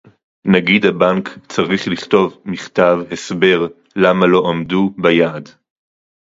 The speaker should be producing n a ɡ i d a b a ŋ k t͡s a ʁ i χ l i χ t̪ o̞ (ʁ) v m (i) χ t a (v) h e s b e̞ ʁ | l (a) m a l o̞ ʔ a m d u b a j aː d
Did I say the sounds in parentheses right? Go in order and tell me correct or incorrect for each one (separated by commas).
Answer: incorrect, correct, correct, correct